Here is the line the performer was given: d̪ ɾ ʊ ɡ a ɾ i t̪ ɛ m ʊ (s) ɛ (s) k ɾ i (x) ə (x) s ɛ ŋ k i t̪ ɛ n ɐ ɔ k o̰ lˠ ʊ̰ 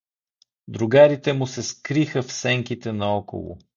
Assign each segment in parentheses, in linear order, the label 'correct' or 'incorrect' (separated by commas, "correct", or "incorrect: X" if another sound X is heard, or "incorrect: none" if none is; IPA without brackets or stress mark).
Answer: correct, correct, correct, incorrect: f